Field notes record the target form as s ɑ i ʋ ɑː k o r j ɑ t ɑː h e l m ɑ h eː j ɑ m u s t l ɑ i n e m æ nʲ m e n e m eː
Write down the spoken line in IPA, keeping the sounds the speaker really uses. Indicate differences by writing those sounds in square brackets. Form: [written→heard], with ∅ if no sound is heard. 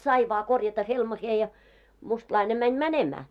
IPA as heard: s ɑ i ʋ ɑː k o r j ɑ t [ɑː→ɑ] h e l m ɑ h eː j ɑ m u s t l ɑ i n e m æ nʲ m [e→æ] n e m [eː→æː]